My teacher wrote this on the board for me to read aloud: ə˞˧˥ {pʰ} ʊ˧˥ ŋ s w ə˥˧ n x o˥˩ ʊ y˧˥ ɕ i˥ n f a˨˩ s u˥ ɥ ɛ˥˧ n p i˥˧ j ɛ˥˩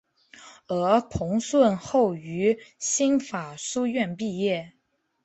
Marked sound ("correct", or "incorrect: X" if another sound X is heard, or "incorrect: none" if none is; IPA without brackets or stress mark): correct